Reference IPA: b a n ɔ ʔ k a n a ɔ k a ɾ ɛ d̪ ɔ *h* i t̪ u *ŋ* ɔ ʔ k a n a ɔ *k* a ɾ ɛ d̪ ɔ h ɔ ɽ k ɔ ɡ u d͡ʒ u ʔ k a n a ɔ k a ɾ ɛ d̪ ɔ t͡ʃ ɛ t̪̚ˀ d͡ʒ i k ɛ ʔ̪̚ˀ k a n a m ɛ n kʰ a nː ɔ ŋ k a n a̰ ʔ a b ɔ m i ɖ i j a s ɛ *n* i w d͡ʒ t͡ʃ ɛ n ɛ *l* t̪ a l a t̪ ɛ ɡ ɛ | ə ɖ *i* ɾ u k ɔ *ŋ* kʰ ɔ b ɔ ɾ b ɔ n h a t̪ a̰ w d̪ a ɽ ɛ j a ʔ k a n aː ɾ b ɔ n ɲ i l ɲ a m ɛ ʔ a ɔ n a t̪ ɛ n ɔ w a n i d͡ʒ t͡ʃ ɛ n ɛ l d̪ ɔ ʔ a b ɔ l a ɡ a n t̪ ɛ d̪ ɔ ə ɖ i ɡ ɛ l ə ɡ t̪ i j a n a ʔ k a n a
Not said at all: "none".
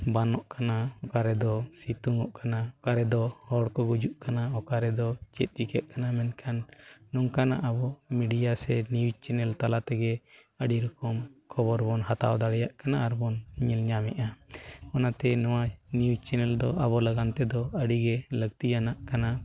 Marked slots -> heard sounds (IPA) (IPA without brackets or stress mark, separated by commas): s, ŋ, k, n, l, i, m